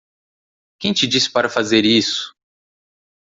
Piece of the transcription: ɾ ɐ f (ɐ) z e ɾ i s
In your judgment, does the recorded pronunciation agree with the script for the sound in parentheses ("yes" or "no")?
no